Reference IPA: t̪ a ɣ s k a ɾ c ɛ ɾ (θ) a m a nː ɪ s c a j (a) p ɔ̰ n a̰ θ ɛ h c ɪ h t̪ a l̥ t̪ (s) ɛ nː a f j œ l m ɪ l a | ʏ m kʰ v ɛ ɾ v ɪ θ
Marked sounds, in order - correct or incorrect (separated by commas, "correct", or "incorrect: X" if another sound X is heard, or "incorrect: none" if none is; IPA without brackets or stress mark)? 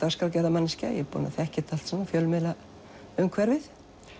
incorrect: ð, incorrect: ɛ, correct